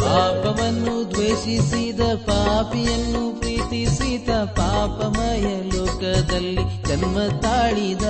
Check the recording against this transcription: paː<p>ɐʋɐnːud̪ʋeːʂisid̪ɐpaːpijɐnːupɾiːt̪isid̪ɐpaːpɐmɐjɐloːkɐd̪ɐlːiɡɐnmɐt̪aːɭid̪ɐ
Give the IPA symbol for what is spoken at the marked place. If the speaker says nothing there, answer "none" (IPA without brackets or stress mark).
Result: p